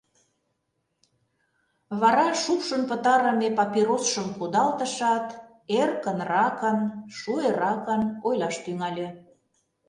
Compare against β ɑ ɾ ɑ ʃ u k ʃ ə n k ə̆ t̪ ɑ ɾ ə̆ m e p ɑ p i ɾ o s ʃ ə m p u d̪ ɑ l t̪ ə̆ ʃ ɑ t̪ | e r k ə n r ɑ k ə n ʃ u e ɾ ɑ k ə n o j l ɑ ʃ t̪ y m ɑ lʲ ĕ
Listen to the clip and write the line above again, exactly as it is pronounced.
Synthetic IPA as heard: β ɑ ɾ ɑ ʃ u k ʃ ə n p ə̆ t̪ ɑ ɾ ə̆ m e p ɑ p i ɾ o s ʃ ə m k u d̪ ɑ l t̪ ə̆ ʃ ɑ t̪ | e r k ə n r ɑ k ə n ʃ u e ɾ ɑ k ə n o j l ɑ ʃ t̪ y ŋ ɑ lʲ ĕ